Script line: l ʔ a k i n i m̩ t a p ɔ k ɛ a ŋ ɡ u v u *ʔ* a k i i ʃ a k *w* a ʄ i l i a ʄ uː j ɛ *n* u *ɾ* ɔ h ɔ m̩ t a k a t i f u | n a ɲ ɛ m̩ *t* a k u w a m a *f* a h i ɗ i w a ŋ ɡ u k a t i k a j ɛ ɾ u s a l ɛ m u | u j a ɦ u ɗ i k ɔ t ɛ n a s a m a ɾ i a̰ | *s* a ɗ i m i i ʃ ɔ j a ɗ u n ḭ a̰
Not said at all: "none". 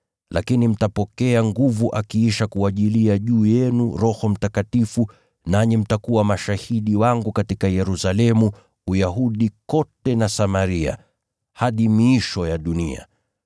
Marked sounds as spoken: ʔ, u, n, ɾ, t, ʃ, h

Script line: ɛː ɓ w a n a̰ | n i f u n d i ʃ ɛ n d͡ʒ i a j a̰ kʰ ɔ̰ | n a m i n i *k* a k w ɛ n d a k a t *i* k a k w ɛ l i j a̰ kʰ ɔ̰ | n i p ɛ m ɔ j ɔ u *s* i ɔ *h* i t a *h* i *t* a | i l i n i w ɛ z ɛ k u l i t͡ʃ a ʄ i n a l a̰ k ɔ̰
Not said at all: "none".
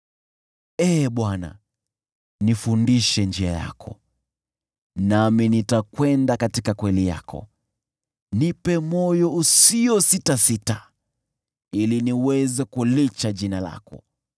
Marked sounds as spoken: t, i, s, s, s, t

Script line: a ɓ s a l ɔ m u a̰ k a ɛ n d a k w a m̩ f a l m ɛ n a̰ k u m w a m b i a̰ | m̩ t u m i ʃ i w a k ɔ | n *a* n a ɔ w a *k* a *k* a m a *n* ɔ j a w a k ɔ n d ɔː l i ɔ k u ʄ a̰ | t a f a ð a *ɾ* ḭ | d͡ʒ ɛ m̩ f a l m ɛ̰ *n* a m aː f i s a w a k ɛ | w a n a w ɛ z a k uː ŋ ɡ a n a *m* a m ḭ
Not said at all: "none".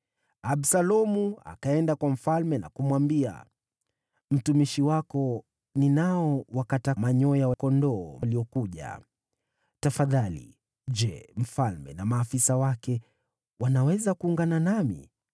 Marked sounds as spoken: i, k, t, ɲ, l, n, n

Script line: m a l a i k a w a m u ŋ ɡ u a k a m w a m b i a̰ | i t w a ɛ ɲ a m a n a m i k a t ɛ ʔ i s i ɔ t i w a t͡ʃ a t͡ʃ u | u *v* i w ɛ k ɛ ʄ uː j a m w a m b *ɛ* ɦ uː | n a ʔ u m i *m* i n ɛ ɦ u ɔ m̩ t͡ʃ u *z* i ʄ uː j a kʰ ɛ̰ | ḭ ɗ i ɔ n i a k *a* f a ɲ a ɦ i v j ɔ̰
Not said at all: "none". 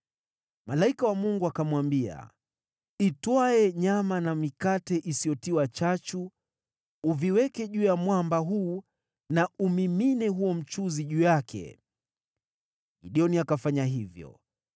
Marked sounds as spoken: v, a, m, z, a

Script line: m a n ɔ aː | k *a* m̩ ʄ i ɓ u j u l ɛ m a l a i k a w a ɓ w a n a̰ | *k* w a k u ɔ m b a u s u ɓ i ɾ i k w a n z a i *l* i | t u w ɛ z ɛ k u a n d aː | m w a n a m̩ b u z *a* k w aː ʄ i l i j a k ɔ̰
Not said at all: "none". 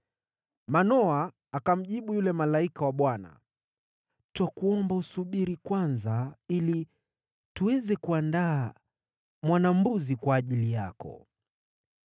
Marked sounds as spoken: a, t, l, i

